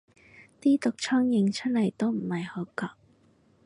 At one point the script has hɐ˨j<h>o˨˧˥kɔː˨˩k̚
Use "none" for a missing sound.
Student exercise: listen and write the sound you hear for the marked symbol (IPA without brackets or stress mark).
h